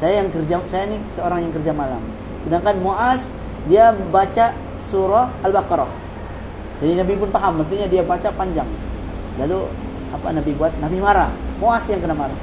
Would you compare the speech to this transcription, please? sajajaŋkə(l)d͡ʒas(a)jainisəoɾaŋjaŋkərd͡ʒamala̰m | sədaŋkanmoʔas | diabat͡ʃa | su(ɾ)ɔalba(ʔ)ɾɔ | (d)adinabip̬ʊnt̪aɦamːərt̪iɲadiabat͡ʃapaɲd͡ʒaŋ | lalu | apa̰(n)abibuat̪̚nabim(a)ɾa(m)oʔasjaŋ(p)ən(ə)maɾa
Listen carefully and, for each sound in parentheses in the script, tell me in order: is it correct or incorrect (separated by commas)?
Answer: incorrect, correct, correct, incorrect, incorrect, correct, correct, correct, incorrect, incorrect